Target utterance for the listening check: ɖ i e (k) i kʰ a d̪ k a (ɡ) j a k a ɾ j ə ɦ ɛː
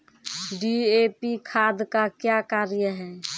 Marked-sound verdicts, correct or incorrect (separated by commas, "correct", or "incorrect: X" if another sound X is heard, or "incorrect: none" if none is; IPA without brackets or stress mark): incorrect: p, incorrect: k